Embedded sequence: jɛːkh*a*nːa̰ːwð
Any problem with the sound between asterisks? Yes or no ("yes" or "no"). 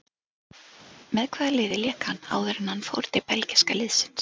no